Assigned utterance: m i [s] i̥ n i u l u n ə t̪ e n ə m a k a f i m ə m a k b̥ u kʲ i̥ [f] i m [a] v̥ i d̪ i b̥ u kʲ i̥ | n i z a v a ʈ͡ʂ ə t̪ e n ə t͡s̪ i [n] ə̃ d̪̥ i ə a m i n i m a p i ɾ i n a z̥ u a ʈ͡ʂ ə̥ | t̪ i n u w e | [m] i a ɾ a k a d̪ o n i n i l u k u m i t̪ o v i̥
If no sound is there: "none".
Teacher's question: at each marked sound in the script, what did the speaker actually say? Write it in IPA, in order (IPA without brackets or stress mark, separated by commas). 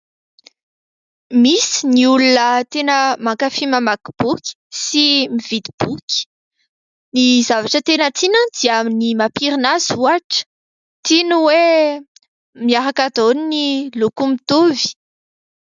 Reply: s, s, i, n, m